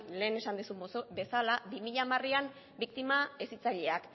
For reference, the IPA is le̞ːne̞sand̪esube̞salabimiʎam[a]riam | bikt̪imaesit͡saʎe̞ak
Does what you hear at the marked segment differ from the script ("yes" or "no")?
no